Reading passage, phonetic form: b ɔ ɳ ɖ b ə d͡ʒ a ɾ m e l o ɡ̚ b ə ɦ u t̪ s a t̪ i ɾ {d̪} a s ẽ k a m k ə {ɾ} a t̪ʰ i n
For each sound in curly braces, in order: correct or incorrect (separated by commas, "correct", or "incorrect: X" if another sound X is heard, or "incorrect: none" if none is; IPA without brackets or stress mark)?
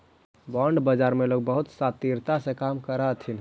incorrect: t̪, correct